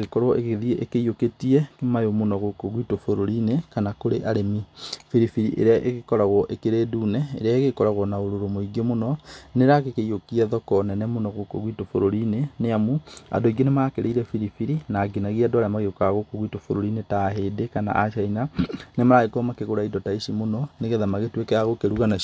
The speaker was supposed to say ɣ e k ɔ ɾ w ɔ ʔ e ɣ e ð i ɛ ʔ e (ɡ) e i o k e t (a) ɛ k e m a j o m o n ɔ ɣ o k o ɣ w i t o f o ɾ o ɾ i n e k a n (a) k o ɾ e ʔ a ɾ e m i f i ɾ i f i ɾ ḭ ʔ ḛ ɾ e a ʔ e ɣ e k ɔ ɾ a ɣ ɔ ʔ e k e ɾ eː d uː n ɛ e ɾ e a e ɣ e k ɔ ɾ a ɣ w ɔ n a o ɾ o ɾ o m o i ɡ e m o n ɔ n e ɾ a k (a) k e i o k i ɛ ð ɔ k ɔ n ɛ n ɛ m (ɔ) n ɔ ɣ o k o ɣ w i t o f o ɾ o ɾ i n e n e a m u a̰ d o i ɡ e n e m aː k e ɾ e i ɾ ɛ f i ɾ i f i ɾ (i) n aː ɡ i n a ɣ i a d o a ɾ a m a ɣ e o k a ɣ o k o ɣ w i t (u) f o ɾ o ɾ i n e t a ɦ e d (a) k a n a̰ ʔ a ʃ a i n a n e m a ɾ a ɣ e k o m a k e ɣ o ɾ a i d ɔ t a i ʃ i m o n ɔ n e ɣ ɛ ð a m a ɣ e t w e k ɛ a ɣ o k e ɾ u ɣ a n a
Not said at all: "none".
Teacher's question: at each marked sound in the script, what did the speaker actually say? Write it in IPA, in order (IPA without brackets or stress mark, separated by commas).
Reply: k, i, a, e, o, i, o, e